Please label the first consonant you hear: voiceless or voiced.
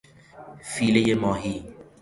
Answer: voiceless